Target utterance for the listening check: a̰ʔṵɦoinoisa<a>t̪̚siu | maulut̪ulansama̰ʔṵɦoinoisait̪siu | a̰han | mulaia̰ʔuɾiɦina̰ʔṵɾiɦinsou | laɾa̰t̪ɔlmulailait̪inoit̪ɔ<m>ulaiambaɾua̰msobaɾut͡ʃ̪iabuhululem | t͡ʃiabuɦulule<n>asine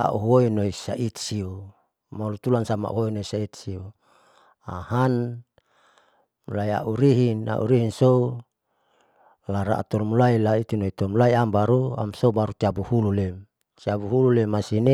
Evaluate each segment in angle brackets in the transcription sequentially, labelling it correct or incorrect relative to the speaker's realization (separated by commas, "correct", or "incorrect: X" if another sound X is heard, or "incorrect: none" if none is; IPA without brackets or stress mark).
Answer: incorrect: i, correct, incorrect: m